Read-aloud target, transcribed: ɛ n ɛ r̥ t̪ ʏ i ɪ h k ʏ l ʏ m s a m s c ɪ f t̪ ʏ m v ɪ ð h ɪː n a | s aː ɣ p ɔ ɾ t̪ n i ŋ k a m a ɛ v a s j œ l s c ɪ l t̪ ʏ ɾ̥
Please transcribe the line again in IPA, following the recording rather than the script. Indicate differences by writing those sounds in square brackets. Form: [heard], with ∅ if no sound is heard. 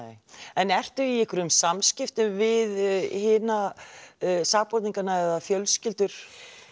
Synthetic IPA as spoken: ɛ n ɛ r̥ t̪ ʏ i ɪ h k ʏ [ɾ] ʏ m s a m s c ɪ f t̪ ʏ m v ɪ ð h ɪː n a | s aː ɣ p ɔ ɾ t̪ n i ŋ k a [n] a ɛ [ð] a [f] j œ l s c ɪ l t̪ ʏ ɾ̥